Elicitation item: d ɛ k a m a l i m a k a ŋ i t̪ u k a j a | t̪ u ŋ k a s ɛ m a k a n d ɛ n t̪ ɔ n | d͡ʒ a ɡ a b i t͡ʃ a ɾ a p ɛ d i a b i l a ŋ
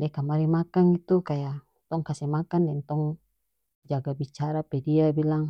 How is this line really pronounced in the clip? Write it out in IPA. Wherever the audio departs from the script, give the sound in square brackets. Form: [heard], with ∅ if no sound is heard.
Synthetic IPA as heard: d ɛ k a m a [ɾ] i m a k a ŋ i t̪ u k a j a | t̪ [ɔ] ŋ k a s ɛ m a k a n d ɛ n t̪ ɔ [ŋ] | d͡ʒ a ɡ a b i t͡ʃ a ɾ a p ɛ d i a b i l a ŋ